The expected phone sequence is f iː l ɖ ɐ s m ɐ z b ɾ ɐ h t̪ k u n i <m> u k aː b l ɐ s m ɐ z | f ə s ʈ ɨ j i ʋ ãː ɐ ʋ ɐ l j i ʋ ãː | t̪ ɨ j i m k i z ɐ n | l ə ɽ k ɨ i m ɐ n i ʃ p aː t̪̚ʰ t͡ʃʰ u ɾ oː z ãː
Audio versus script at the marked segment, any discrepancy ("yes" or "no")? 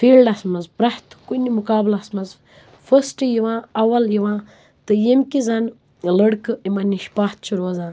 no